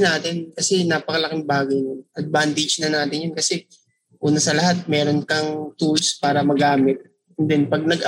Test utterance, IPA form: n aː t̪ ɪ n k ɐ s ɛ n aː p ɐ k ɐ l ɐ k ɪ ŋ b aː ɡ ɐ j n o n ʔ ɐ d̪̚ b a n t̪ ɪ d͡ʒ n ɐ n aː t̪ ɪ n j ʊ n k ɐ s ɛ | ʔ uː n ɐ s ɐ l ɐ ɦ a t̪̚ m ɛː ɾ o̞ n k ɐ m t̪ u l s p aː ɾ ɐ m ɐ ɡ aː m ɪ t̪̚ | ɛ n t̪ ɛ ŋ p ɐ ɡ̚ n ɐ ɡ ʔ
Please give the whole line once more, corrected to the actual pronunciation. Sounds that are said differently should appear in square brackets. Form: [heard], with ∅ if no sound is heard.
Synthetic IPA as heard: n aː t̪ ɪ n k ɐ s ɛ n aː p ɐ k ɐ l ɐ k ɪ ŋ b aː ɡ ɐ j n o n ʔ ɐ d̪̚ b a n t̪ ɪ d͡ʒ n ɐ n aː t̪ ɪ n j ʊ n k ɐ s ɛ | ʔ uː n ɐ s ɐ l ɐ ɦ a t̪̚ m ɛː ɾ o̞ n k ɐ [ŋ] t̪ u l s p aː ɾ ɐ m ɐ ɡ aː m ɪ t̪̚ | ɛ n [d̪] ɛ [n] p ɐ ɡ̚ n ɐ ɡ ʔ